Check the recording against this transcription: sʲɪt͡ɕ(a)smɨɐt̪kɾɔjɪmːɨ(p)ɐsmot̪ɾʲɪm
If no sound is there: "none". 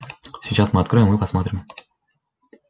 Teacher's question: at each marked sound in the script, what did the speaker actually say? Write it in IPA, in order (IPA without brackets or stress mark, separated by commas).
a, p